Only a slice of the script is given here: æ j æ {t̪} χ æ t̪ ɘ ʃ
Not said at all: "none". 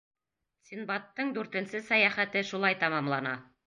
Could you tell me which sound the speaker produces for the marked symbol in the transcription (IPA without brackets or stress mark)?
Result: none